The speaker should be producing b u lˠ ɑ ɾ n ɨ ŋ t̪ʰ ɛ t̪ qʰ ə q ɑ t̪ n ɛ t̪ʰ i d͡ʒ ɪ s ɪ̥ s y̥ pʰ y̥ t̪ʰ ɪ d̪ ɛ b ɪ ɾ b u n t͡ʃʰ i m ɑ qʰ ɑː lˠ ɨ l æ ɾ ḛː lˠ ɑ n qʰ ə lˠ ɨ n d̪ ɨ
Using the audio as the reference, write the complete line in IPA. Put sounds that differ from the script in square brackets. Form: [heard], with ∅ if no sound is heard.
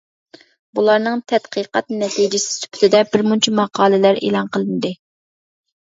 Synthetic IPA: b u lˠ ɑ ɾ n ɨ ŋ t̪ʰ ɛ t̪ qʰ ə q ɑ t̪ n ɛ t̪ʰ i d͡ʒ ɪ s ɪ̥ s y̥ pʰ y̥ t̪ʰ ɪ d̪ ɛ b ɪ ɾ [m] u n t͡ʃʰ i m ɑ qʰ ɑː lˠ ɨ l æ ɾ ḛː lˠ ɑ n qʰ ə lˠ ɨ n d̪ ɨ